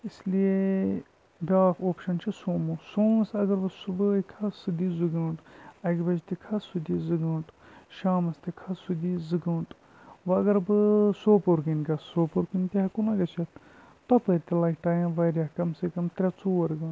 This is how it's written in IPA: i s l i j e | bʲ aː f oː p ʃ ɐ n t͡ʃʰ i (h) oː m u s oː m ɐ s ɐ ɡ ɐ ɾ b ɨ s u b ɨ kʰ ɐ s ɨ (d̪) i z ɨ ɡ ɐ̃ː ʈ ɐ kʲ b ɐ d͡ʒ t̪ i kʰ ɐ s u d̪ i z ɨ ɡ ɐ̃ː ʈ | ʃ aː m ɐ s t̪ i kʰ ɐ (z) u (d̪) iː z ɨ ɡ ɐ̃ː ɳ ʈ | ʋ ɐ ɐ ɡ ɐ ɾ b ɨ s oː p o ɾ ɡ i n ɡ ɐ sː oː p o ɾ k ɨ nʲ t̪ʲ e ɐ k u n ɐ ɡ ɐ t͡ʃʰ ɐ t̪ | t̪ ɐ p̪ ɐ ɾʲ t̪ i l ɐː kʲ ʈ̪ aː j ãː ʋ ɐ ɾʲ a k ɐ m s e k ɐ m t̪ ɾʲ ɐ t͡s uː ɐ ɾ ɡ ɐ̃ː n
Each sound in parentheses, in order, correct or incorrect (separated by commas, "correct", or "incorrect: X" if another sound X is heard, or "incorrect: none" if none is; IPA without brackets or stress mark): incorrect: s, correct, incorrect: s, correct